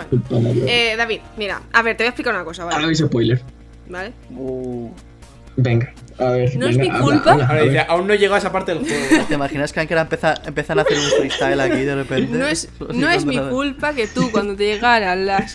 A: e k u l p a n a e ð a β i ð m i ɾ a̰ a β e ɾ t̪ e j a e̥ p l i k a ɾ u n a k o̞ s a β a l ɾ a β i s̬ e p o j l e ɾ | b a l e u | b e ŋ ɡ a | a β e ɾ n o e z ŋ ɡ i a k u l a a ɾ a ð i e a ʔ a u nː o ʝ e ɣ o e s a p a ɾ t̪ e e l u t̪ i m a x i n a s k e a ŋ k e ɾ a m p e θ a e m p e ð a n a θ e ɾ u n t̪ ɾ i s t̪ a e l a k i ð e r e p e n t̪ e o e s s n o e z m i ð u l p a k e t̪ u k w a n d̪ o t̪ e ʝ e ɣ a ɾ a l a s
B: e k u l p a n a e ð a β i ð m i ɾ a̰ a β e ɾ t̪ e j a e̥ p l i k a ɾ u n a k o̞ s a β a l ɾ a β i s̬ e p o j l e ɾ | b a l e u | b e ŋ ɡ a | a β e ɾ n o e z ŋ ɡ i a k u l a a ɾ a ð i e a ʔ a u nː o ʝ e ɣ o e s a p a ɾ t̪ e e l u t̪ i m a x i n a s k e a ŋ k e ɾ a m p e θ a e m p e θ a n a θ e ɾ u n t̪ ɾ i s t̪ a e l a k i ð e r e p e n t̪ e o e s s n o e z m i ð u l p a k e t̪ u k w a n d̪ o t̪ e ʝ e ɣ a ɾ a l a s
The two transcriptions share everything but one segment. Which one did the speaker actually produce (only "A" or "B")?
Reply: B